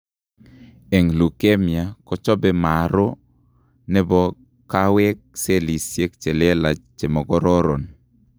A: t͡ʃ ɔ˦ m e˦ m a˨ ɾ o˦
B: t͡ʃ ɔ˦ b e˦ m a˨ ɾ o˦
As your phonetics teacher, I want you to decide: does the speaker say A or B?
B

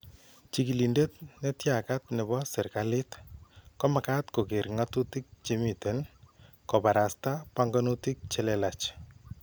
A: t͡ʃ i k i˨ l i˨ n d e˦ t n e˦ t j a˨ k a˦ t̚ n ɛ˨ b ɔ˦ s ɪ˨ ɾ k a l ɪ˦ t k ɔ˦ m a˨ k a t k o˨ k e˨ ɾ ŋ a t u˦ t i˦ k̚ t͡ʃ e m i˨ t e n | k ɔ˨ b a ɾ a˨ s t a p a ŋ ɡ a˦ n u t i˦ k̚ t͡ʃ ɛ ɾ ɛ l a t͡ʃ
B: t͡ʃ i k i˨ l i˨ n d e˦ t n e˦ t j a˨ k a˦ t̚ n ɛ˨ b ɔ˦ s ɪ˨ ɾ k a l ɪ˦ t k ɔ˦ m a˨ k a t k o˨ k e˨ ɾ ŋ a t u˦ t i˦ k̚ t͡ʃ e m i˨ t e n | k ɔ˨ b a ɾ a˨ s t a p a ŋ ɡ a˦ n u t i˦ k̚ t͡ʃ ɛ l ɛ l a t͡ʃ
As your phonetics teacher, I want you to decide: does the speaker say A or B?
B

